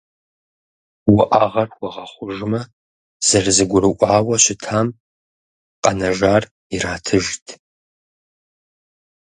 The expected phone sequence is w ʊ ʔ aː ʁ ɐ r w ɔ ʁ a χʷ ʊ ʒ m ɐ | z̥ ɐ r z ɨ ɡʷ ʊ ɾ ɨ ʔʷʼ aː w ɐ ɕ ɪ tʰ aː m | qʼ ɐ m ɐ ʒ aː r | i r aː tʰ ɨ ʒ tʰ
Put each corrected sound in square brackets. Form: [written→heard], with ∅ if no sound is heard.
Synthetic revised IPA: w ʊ ʔ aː ʁ ɐ r w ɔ ʁ [a→ɐ] χʷ ʊ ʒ m ɐ | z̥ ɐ r z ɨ ɡʷ ʊ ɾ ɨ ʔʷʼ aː w ɐ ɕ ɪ tʰ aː m | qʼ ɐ [m→n] ɐ ʒ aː r | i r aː tʰ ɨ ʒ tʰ